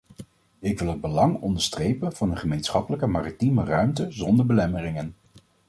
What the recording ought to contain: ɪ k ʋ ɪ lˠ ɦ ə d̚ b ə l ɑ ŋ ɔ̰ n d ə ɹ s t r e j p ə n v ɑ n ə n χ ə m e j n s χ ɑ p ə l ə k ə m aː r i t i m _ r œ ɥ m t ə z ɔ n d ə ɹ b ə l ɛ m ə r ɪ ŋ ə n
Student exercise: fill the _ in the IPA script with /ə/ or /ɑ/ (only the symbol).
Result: ə